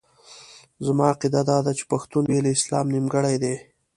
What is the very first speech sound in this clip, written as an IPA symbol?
z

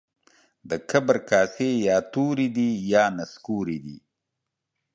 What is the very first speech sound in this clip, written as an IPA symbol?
d̪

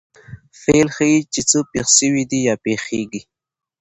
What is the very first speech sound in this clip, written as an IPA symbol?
f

